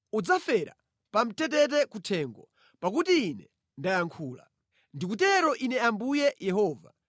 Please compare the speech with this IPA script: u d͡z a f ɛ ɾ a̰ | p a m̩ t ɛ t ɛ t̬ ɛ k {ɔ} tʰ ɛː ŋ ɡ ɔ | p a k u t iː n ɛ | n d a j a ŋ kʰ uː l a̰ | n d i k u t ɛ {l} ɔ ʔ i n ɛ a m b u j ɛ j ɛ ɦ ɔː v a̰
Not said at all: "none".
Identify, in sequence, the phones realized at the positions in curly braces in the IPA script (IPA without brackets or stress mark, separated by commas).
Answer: u, ɾ